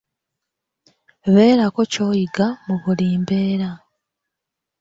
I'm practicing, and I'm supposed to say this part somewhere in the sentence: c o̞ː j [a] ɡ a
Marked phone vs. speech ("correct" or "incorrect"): incorrect